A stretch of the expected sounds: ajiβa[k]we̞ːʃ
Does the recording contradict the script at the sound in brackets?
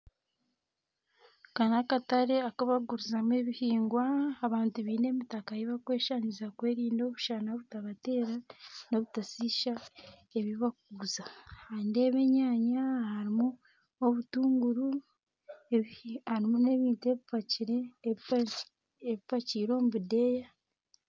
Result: no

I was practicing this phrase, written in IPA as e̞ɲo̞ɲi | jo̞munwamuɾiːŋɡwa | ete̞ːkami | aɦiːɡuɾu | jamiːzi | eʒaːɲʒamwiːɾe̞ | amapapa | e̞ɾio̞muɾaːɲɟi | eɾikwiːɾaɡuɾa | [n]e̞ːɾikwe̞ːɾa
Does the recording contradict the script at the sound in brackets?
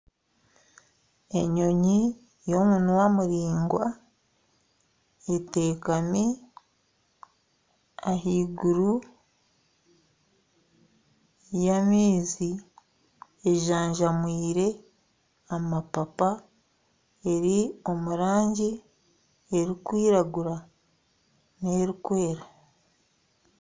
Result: no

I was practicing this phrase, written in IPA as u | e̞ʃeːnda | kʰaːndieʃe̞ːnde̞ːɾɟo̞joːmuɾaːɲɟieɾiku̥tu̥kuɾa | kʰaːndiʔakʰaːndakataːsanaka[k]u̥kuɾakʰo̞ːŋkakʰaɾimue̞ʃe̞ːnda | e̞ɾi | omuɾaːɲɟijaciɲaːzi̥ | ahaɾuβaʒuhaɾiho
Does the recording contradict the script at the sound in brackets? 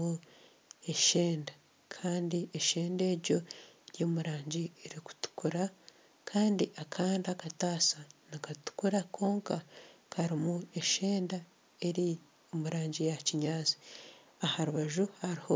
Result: yes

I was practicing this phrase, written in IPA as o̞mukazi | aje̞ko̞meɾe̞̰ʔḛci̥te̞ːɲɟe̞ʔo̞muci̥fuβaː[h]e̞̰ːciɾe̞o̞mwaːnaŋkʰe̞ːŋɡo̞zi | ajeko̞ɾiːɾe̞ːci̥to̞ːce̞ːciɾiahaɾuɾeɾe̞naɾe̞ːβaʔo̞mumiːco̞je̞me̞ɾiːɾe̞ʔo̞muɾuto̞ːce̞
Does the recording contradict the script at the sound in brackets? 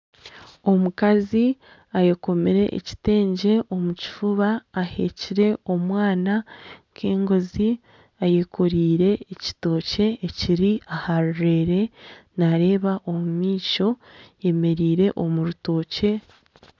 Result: no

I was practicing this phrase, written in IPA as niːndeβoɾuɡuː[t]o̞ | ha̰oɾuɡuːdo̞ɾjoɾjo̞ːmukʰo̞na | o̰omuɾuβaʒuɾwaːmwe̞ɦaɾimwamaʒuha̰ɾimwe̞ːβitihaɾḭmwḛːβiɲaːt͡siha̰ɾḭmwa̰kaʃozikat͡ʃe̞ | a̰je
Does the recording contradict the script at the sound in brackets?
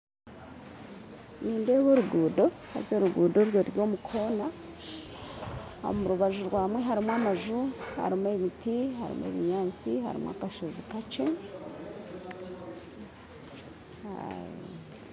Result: yes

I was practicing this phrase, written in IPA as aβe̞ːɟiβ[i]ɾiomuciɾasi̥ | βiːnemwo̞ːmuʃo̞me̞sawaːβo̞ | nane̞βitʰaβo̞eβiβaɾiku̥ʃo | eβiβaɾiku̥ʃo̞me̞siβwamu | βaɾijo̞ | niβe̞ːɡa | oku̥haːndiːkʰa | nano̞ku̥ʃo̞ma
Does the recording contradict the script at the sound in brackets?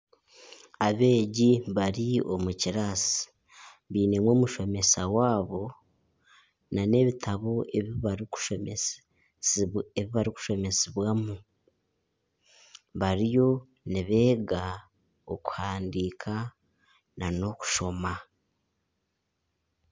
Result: yes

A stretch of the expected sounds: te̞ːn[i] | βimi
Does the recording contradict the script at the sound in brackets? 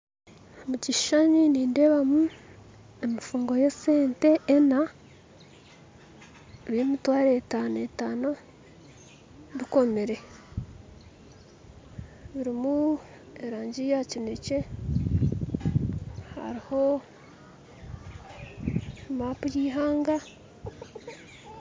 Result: yes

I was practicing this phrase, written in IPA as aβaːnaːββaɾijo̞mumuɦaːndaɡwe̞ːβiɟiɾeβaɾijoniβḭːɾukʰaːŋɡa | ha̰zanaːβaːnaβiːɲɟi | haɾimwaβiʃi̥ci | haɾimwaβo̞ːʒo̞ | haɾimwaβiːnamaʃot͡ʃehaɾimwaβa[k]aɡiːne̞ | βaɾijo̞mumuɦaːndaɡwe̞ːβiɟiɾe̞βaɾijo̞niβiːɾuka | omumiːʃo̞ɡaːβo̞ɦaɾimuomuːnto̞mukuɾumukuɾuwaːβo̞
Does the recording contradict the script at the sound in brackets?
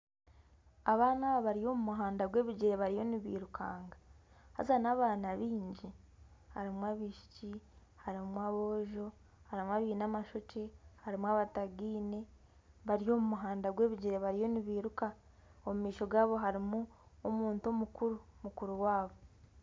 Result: yes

